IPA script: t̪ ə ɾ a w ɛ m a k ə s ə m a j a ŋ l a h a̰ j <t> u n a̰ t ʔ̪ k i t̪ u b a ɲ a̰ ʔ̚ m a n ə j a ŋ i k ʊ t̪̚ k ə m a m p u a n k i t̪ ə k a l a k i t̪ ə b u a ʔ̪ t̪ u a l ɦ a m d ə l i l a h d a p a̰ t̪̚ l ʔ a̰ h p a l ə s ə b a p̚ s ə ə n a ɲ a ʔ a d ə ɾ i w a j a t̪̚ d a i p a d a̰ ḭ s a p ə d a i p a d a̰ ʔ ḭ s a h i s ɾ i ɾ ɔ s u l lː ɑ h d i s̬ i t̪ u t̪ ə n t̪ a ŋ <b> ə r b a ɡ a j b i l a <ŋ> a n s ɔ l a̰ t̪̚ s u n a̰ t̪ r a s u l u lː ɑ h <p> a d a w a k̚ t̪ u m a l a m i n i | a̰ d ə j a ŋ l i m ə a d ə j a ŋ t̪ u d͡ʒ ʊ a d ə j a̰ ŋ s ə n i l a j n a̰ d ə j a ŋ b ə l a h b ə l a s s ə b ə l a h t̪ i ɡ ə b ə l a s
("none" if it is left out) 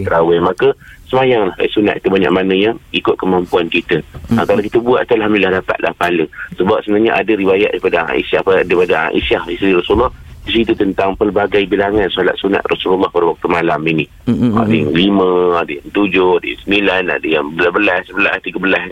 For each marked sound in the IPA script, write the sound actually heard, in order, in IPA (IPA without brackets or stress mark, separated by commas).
s, p, ŋ, p